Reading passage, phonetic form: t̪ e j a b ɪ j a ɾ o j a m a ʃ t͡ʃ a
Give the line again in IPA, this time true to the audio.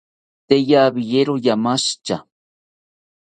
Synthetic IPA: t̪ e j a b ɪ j e ɾ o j a m a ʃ t͡ʃ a